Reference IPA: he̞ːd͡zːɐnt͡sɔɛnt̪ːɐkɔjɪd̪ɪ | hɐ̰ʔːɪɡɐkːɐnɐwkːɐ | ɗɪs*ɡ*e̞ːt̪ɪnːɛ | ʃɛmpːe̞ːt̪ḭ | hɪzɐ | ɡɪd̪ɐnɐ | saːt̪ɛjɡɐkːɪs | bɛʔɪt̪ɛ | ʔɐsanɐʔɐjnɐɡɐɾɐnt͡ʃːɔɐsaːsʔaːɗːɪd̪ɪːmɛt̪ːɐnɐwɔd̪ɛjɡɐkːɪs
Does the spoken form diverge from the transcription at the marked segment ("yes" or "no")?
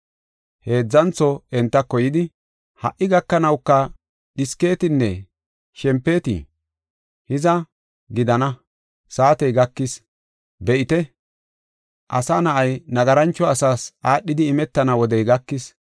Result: yes